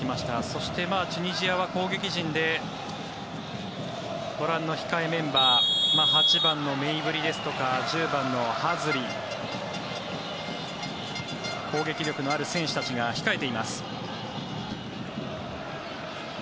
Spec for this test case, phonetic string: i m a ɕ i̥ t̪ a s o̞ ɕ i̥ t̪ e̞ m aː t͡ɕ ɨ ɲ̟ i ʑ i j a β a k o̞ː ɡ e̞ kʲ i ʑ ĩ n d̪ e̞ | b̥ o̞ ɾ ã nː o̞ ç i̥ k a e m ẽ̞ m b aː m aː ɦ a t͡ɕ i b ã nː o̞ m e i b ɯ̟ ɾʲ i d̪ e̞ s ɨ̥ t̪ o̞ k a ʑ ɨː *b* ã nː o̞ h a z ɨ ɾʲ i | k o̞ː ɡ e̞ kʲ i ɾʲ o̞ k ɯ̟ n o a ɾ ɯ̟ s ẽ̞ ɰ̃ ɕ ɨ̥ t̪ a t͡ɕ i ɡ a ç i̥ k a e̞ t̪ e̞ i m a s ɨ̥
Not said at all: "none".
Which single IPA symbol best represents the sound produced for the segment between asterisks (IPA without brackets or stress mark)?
b